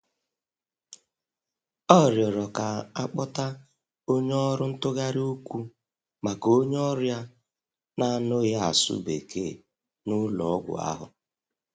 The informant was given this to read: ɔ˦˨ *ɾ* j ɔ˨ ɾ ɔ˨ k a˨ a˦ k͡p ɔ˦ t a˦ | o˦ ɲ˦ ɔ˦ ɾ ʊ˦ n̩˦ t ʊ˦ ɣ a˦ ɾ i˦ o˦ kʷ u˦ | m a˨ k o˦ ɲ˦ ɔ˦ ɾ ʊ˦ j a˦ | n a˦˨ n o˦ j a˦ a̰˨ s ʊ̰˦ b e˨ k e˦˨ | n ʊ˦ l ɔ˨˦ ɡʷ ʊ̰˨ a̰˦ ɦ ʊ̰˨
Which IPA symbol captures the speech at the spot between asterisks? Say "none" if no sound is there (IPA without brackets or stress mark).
ɾ